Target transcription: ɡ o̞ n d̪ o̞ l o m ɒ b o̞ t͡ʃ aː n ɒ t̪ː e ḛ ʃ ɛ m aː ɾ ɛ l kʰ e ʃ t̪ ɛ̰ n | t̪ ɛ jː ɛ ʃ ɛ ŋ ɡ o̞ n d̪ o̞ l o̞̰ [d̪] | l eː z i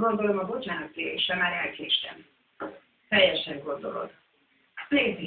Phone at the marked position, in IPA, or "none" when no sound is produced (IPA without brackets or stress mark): d̪